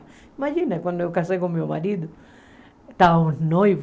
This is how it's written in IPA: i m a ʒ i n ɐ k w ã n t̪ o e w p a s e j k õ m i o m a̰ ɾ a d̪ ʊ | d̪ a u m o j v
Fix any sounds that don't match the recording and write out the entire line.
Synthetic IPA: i m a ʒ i n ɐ k w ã n d̪ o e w k a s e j k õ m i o m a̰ ɾ i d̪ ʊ | t̪ a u n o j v